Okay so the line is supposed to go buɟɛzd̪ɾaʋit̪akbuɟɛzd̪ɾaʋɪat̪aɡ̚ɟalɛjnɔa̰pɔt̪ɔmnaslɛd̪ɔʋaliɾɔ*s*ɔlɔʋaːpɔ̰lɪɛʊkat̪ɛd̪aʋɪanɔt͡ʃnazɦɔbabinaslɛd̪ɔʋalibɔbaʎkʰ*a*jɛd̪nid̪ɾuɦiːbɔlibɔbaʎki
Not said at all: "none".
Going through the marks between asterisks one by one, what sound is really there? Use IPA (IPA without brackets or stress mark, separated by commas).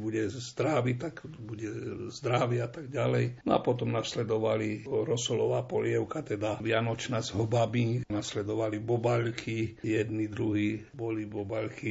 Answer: s, i